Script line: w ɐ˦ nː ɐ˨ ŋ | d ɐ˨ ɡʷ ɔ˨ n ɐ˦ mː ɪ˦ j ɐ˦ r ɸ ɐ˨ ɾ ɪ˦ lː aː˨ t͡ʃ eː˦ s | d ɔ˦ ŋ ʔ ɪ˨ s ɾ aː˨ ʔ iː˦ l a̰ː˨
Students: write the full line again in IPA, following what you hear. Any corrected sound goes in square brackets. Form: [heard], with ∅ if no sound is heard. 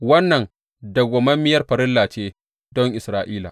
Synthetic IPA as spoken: w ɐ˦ nː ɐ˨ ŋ | d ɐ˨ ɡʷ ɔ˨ [m] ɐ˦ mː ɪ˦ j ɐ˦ r ɸ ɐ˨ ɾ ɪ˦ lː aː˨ t͡ʃ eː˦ [∅] | d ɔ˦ ŋ ʔ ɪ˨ s ɾ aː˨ ʔ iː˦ l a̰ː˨